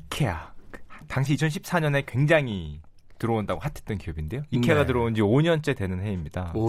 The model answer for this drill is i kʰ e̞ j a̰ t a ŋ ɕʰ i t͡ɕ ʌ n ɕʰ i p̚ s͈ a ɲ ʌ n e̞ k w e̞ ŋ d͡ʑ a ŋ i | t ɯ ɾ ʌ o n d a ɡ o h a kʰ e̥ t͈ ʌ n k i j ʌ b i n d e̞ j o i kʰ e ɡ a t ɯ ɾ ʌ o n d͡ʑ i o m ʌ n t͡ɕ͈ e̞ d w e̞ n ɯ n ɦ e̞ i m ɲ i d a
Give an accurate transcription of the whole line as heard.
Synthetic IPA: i kʰ e̞ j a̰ t a ŋ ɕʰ i t͡ɕʰ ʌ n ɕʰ i p̚ s͈ a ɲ ʌ n e̞ k w e̞ ŋ d͡ʑ a ŋ i | t ɯ ɾ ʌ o n d a ɡ o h a tʰ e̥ t͈ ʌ n k i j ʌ b i n d e̞ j o i kʰ e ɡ a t ɯ ɾ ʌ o n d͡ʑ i o ɲ ʌ n t͡ɕ͈ e̞ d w e̞ n ɯ n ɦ e̞ i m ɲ i d a